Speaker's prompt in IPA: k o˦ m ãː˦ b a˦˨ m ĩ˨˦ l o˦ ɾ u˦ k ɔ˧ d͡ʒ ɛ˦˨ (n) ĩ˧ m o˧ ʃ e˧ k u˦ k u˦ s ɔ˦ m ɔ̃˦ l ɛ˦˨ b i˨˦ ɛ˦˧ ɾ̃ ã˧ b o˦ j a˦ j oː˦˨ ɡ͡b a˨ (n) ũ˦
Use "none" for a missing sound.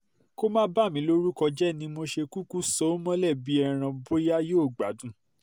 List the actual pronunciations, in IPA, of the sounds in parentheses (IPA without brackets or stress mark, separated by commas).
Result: n, d